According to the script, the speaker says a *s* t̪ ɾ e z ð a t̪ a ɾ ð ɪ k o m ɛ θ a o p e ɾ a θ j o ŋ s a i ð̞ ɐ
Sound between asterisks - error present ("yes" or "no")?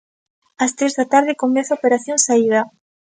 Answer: no